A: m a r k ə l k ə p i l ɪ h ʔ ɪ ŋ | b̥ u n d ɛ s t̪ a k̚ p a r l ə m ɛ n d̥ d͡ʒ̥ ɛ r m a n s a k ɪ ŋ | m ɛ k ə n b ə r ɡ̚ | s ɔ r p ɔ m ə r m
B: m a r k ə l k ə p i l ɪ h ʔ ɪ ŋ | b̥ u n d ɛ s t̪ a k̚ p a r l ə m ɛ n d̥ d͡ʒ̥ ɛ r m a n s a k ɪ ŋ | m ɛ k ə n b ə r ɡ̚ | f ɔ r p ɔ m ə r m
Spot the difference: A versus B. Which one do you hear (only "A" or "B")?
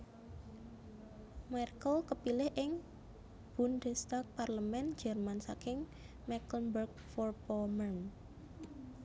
B